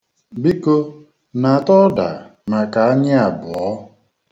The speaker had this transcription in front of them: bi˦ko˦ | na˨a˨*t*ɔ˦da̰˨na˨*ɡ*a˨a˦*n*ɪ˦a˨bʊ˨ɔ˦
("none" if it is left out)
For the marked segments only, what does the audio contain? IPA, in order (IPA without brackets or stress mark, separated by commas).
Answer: t, k, ɲ